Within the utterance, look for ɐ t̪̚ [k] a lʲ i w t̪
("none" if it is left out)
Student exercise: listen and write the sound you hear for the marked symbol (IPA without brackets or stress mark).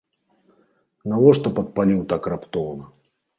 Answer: p